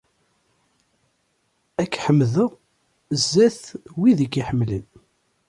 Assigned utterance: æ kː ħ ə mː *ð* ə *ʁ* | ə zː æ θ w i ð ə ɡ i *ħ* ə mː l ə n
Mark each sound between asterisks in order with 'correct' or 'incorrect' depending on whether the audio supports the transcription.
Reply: correct, correct, correct

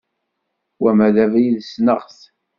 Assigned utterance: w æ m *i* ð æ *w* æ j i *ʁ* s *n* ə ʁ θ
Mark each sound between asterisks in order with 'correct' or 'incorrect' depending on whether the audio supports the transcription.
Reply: incorrect: æ, incorrect: v, incorrect: ð, correct

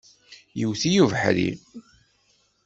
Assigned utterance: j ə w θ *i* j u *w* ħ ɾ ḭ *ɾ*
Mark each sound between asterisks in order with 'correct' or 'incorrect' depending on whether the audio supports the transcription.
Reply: correct, incorrect: v, incorrect: none

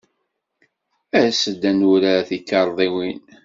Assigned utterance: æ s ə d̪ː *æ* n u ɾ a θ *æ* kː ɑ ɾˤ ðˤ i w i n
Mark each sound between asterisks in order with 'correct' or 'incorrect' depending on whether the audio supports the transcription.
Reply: correct, incorrect: i

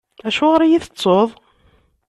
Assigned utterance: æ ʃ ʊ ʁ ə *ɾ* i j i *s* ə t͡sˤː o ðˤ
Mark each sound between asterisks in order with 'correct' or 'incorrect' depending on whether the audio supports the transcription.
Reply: correct, incorrect: θ

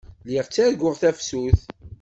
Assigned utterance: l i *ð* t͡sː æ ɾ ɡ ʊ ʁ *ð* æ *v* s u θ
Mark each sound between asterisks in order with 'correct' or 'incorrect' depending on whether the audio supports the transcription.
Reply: incorrect: ʁ, incorrect: θ, incorrect: f

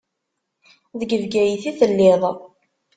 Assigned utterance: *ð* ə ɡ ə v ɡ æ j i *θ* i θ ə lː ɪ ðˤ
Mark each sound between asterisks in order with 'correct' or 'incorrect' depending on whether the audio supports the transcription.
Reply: correct, correct

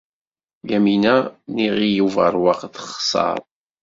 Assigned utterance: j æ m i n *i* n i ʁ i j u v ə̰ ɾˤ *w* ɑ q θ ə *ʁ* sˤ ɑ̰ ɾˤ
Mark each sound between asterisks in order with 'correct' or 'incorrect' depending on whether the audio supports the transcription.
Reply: incorrect: æ, correct, incorrect: χ

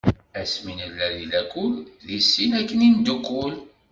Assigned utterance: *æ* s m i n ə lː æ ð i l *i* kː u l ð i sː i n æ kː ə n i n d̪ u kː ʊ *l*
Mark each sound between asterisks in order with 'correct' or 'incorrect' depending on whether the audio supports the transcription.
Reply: correct, incorrect: æ, correct

